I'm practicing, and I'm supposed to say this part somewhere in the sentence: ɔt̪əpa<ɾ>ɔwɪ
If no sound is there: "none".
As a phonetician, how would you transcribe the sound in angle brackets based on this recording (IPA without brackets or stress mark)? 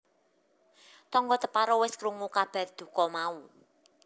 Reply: ɾ